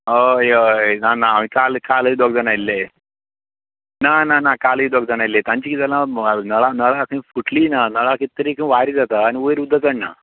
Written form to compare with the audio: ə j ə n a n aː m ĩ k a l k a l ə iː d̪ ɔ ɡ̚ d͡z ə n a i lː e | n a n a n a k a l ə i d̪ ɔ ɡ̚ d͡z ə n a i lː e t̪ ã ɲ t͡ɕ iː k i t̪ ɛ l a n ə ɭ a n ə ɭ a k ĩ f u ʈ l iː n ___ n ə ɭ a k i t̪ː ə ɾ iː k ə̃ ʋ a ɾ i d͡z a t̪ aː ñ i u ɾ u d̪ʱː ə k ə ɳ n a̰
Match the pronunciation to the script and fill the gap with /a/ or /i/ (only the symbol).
a